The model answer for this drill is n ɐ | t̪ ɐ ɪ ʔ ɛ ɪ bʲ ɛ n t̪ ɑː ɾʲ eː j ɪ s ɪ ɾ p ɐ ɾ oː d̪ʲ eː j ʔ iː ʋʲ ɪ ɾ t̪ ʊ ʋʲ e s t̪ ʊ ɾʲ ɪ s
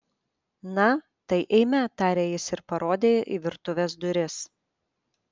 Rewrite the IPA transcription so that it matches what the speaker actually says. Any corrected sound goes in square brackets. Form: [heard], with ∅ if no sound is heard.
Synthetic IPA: n ɐ | t̪ ɐ ɪ ʔ ɛ ɪ [mʲ] ɛ [∅] t̪ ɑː ɾʲ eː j ɪ s ɪ ɾ p ɐ ɾ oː d̪ʲ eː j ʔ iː ʋʲ ɪ ɾ t̪ ʊ ʋʲ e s [d̪] ʊ ɾʲ ɪ s